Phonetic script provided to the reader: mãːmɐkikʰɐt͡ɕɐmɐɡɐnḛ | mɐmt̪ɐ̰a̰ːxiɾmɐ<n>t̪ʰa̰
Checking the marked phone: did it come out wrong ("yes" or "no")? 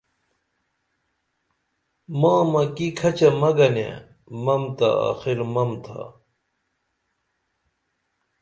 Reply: yes